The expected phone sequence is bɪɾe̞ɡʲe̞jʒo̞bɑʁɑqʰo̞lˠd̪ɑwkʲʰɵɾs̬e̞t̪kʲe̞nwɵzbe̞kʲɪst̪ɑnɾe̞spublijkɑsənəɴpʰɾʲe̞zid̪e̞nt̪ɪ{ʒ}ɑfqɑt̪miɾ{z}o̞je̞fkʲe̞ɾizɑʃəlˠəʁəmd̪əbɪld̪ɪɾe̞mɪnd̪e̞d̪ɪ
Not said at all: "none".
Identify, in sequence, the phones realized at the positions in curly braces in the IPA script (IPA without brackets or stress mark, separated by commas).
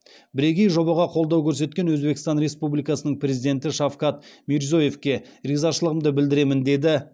ʃ, z